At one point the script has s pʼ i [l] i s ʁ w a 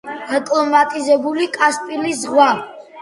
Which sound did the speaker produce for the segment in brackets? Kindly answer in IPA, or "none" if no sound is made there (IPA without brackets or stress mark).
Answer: l